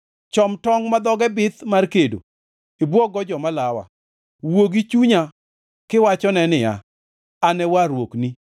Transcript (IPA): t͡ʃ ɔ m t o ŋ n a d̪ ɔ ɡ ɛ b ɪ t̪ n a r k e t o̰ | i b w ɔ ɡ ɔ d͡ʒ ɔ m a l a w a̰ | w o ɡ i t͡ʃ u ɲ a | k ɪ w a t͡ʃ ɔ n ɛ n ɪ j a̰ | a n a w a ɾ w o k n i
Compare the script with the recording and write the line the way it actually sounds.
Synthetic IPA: t͡ʃ ɔ m t ɔ ŋ m a d̪ ɔ ɡ ɛ b ɪ t̪ m a r k e d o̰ | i b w ɔ ɡ ɔ d͡ʒ ɔ m a l a w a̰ | w o ɡ i t͡ʃ u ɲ a | k ɪ w a t͡ʃ ɔ n ɛ n ɪ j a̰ | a n ɛ w a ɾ w o k n i